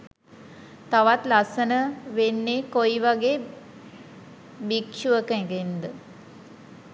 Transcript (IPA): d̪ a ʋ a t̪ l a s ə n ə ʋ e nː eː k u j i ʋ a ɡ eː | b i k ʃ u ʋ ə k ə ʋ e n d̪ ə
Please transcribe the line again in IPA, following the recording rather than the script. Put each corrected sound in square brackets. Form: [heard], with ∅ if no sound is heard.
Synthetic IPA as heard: [t̪] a ʋ a t̪ l a s ə n ə ʋ e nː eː k [o] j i ʋ a ɡ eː | b i k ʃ u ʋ ə k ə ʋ e n d̪ ə

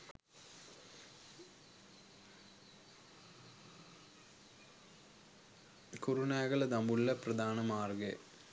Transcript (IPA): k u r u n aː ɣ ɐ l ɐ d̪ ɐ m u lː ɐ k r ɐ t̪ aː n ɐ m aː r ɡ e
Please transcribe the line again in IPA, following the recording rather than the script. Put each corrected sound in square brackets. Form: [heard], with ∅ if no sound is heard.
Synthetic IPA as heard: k u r u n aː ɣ ɐ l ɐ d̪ ɐ m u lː ɐ [p] r ɐ [d̪] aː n ɐ m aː r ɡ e

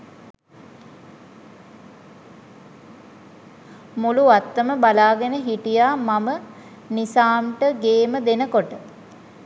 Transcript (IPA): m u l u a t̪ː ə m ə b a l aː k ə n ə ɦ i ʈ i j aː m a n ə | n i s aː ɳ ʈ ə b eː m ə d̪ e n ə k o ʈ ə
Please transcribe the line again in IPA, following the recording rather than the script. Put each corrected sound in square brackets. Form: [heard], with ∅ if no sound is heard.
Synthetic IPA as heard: m u l u a t̪ː ə m ə b a l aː [ɡ] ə n ə ɦ i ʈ i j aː m a [m] ə | n i s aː [m] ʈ ə [ɡ] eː m ə d̪ e n ə k o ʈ ə

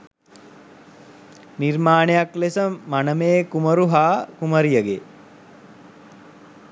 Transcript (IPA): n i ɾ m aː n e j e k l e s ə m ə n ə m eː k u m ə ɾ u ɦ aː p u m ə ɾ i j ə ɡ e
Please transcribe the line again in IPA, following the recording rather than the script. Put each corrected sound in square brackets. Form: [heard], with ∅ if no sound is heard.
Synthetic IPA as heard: n i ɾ m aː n e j [a] k l e s ə m [a] n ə m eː k u m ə ɾ u ɦ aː [k] u m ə ɾ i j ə ɡ e

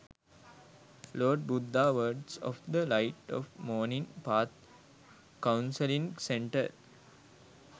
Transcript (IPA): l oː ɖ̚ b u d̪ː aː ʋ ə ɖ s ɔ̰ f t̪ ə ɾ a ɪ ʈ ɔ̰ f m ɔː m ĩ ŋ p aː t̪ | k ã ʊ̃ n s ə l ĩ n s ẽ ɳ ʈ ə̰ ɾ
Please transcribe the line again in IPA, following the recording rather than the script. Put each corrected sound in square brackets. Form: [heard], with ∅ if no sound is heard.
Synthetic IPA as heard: l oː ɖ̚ b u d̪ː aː ʋ ə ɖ s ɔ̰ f [d̪] ə [l] a ɪ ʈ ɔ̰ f m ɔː [n] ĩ ŋ p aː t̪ | k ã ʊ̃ n s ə l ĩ [ŋ] s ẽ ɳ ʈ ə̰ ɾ

